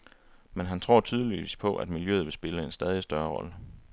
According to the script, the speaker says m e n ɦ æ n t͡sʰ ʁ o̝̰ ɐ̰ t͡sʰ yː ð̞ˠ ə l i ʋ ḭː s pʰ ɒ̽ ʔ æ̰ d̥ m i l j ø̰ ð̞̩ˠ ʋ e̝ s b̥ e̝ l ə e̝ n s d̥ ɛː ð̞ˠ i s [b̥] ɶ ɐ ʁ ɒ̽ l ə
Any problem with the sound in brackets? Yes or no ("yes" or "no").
yes